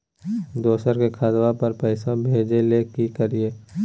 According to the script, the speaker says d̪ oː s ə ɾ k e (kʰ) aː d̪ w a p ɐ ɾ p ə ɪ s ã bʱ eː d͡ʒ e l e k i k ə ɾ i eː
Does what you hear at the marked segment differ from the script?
no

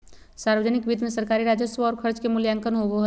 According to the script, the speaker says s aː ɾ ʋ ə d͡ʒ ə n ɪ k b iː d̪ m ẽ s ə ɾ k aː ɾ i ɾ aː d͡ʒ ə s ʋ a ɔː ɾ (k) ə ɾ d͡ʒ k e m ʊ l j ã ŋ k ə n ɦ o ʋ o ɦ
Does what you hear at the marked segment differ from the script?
yes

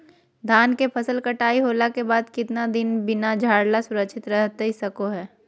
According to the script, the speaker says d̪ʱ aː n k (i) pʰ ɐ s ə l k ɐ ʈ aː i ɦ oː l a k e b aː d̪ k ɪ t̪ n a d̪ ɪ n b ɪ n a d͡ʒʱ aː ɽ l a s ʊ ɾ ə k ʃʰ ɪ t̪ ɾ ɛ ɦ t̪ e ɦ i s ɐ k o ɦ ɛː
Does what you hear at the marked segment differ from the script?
yes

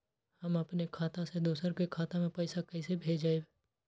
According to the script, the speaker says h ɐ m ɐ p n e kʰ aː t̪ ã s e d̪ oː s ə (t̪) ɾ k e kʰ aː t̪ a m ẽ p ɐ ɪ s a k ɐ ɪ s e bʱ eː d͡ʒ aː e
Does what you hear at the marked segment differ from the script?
yes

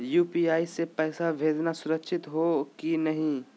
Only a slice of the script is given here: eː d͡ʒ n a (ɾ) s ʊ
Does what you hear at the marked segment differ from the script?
yes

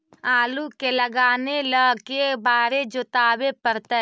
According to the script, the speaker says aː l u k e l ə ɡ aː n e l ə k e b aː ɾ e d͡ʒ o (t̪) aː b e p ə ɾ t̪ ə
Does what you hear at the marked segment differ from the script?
no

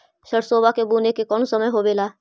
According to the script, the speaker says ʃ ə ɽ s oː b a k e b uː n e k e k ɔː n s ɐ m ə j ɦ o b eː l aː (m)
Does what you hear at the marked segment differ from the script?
yes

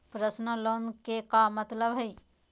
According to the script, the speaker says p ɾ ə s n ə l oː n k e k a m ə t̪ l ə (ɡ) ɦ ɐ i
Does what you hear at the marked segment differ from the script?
yes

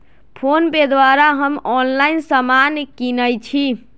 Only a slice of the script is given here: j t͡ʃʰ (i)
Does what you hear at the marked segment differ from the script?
no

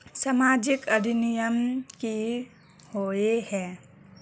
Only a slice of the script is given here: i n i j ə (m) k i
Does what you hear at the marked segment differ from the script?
no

